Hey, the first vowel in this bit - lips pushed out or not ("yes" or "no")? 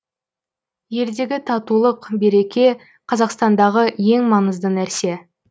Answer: no